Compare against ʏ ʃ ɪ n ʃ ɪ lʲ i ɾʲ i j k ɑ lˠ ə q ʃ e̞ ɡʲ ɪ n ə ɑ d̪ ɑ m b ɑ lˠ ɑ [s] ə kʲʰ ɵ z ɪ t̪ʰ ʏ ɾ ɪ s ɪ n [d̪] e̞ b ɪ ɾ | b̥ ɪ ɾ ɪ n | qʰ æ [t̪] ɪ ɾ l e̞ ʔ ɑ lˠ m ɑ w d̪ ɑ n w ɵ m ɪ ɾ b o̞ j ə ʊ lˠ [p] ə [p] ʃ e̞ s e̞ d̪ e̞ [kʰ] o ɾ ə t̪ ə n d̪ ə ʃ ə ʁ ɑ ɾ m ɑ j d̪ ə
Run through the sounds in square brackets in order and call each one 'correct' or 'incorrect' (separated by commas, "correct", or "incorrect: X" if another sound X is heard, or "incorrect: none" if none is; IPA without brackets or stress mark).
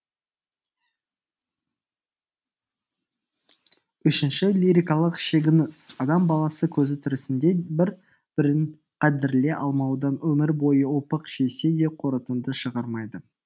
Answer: correct, correct, incorrect: d̪, correct, incorrect: q, incorrect: qʰ